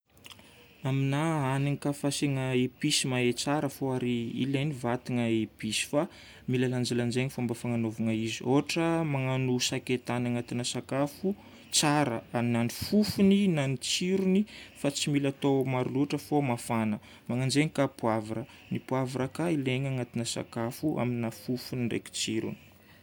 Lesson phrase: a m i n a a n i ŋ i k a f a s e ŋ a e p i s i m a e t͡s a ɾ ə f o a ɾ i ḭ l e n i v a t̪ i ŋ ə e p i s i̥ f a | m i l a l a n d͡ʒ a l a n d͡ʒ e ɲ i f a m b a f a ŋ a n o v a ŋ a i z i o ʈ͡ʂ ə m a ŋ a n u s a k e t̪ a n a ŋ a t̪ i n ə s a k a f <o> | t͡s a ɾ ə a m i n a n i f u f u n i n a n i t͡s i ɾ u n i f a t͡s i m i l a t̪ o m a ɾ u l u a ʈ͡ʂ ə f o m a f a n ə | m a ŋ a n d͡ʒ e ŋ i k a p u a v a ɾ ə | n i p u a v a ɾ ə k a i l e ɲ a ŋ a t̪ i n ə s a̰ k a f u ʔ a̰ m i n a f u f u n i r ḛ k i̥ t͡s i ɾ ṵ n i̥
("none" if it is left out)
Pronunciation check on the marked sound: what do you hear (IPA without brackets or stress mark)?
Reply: u